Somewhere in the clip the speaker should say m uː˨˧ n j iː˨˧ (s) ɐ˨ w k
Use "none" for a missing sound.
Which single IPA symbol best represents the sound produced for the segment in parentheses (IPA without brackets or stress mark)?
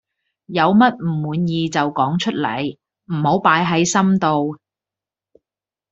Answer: t͡s